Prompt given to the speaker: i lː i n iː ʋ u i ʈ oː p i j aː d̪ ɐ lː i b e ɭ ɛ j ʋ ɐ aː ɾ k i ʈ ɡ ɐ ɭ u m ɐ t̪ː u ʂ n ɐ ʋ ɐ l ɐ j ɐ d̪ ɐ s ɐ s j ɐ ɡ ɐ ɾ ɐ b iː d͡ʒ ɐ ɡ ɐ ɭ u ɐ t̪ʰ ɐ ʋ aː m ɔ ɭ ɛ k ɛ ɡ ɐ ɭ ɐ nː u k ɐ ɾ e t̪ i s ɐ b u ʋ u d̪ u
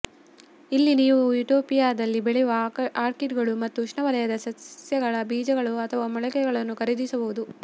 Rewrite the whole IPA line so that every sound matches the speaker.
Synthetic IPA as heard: i lː i n iː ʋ u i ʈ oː p i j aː d̪ ɐ lː i b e ɭ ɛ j ʋ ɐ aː ɾ k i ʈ ɡ ɐ ɭ u m ɐ t̪ː u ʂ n ɐ ʋ ɐ l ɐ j ɐ d̪ ɐ s ɐ s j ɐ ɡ ɐ ɭ ɐ b iː d͡ʒ ɐ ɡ ɐ ɭ u ɐ t̪ʰ ɐ ʋ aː m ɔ ɭ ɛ k ɛ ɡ ɐ ɭ ɐ nː u k ɐ ɾ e d̪ i s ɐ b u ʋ u d̪ u